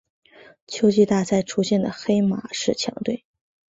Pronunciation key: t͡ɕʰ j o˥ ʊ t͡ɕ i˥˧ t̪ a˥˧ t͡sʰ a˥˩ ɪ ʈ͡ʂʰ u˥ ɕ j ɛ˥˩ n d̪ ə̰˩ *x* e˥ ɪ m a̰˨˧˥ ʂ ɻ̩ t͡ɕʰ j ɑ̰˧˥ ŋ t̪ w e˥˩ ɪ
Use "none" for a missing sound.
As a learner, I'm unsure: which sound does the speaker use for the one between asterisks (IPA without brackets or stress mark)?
x